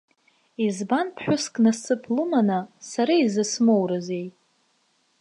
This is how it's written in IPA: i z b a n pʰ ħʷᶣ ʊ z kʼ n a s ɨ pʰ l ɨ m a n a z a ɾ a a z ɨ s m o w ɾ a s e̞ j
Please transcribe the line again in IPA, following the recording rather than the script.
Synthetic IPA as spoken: i z b a n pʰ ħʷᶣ ʊ s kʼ n a s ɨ pʰ l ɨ m a n a s a ɾ a i z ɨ s m o w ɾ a z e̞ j